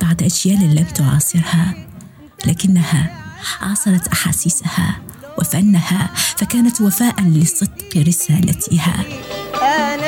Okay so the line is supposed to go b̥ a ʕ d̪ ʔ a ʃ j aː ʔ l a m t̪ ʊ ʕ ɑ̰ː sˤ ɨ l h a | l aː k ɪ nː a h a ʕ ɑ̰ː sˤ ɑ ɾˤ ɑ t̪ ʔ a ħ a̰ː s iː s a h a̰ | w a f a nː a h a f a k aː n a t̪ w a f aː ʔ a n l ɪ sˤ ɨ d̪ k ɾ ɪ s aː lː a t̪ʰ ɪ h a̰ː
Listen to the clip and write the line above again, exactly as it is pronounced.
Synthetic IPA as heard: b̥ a ʕ d̪ ʔ a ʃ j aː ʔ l a m t̪ ʊ ʕ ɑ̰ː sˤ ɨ ɾ h a | l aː k ɪ nː a h a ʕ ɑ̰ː sˤ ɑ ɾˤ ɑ t̪ ʔ a ħ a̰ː s iː s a h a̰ | w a f a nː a h a f a k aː n a t̪ w a f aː ʔ a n l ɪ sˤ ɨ d̪ q ɾ ɪ s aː l a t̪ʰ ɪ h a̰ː